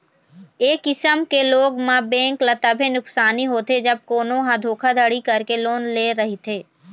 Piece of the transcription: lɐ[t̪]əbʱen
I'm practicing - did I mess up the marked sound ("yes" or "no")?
no